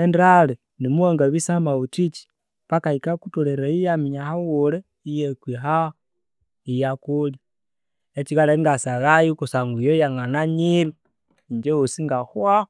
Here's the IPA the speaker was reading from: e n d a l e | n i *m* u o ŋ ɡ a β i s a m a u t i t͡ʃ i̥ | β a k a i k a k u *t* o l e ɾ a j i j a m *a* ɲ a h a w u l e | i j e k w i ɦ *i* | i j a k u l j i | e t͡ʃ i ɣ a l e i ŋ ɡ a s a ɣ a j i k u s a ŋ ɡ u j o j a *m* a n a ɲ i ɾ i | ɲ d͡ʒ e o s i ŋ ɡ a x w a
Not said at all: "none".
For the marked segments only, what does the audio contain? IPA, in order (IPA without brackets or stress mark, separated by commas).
m, t, i, a, ŋ